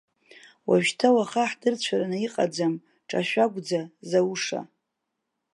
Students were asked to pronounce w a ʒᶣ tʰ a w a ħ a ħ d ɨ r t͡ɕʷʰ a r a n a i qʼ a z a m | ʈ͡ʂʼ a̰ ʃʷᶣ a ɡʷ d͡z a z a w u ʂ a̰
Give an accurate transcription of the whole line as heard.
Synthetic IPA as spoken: w a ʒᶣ tʰ a w a χ a ħ d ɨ r t͡ɕʷʰ a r a n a i qʼ a d͡z a m | ʈ͡ʂʼ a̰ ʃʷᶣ a ɡʷ d͡z a z a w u ʂ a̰